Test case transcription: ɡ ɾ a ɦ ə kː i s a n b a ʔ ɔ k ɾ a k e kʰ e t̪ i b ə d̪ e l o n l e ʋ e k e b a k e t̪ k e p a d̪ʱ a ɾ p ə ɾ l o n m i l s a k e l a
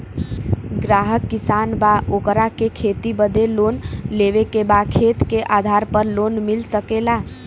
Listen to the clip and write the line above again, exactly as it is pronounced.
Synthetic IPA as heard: ɡ ɾ a ɦ ə kː i s a n b a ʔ o k ɾ a k e kʰ e t̪ i b ə d̪ e l o n l e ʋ e k e b a kʰ e t̪ k e ʔ a d̪ʱ a ɾ p ə ɾ l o n m i l s ə k e l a